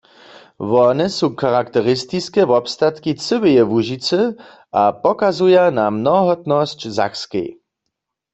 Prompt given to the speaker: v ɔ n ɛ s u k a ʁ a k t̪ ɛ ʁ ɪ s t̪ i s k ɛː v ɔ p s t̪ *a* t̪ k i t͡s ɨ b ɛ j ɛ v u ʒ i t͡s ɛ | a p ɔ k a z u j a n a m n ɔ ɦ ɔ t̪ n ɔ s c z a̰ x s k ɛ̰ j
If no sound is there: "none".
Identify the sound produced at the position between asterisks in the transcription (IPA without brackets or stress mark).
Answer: a